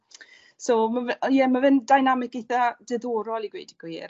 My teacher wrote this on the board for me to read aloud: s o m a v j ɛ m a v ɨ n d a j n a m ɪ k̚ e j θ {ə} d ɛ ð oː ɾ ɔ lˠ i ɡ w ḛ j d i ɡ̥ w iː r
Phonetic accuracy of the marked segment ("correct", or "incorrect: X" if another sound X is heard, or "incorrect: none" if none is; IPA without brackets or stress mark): incorrect: a